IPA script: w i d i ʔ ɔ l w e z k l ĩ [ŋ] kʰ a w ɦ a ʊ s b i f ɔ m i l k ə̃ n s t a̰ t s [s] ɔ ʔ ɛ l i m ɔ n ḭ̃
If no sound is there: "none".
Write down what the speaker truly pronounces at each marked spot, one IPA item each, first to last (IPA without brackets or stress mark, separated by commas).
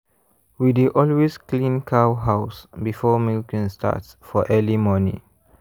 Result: n, f